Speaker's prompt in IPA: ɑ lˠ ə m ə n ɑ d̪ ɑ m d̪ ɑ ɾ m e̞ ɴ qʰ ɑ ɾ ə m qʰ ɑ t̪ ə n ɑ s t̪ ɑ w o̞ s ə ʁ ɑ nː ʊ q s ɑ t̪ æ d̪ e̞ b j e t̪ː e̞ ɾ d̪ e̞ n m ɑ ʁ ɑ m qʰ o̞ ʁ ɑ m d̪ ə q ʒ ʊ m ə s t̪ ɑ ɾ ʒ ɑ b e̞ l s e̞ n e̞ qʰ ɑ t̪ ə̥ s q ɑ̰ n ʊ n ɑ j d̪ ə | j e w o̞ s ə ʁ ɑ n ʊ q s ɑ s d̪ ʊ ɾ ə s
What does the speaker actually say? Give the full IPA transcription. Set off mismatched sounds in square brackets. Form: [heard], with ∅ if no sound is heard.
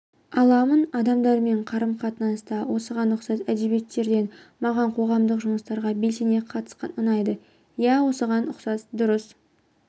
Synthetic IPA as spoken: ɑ lˠ [ɑ] m ə n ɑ d̪ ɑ m d̪ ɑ ɾ m e̞ ɴ qʰ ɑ ɾ ə m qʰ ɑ t̪ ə n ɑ s t̪ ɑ w o̞ s ə ʁ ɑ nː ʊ q s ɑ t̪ æ d̪ e̞ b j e t̪ː e̞ ɾ d̪ e̞ n m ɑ ʁ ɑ [ɴ] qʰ o̞ ʁ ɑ m d̪ ə q ʒ ʊ m ə s t̪ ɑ ɾ [ʁ] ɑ b e̞ l s e̞ n e̞ qʰ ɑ t̪ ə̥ s q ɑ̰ n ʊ n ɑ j d̪ ə | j [æ] w o̞ s ə ʁ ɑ n ʊ q s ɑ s d̪ ʊ ɾ ə s

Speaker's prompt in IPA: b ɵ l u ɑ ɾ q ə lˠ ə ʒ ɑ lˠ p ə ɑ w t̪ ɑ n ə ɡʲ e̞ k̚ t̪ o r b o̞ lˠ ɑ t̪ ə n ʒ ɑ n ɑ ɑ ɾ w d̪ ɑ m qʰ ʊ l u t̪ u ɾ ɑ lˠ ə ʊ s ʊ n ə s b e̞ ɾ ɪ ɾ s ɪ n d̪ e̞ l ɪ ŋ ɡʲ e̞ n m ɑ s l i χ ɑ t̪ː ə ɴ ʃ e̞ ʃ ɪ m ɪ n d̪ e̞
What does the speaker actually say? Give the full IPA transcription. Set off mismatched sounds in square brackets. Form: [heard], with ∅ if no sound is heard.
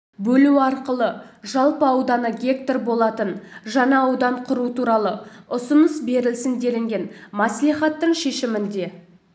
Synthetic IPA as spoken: b ɵ l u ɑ ɾ q ə lˠ ə ʒ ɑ lˠ p ə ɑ w [d̪] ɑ n ə ɡʲ e̞ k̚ t̪ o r b o̞ lˠ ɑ t̪ ə n ʒ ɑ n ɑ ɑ [∅] w d̪ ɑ [ɴ] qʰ ʊ [ɾ] u t̪ u ɾ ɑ lˠ ə ʊ s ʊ n ə s b e̞ ɾ ɪ [l] s ɪ n d̪ e̞ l ɪ ŋ ɡʲ e̞ n m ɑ s l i χ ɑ t̪ː ə ɴ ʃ e̞ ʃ ɪ m ɪ n d̪ e̞

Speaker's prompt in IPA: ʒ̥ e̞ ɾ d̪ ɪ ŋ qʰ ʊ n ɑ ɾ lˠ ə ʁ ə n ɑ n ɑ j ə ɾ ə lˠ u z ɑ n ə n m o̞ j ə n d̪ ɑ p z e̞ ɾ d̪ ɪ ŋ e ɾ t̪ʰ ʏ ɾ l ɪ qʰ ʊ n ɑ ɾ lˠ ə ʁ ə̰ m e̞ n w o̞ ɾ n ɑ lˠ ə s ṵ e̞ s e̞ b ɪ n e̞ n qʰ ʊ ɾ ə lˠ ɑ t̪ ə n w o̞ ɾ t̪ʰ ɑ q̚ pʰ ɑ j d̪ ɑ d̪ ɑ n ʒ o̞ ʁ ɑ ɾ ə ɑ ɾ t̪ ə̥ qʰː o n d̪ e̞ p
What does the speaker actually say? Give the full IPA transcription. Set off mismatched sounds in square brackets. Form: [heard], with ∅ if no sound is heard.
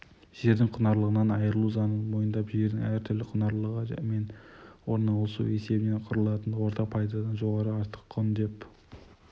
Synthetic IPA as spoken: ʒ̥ e̞ ɾ d̪ ɪ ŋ qʰ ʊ n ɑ ɾ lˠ ə ʁ ə n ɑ n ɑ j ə ɾ ə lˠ u z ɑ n ə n m o̞ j ə n d̪ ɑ p [ʒ] e̞ ɾ d̪ ɪ ŋ [æ] ɾ t̪ʰ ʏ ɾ l ɪ qʰ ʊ n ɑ ɾ lˠ ə ʁ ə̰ m e̞ n w o̞ ɾ n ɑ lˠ ə s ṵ e̞ s e̞ b ɪ n e̞ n qʰ ʊ ɾ ə lˠ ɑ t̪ ə n w o̞ ɾ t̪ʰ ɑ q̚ pʰ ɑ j d̪ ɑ d̪ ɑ n ʒ o̞ ʁ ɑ ɾ ə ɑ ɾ t̪ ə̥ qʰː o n d̪ e̞ p

